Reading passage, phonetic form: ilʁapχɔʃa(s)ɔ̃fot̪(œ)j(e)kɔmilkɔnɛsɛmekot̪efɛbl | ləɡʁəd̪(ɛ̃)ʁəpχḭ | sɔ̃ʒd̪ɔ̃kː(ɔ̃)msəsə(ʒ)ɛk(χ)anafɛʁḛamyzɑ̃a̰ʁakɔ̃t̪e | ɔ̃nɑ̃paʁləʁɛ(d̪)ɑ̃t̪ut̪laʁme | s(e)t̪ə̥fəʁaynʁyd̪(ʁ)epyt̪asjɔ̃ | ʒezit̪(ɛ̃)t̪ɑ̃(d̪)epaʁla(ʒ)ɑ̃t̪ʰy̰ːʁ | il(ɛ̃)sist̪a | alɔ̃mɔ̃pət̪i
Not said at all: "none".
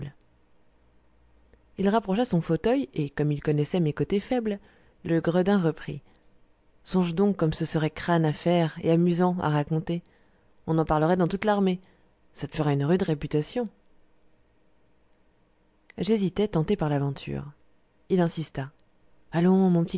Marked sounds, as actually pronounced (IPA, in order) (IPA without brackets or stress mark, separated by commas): s, œ, e, ɛ̃, ɔ, ʁ, χ, d̪, a, ʁ, ɛ, t̪, v, ɛ̃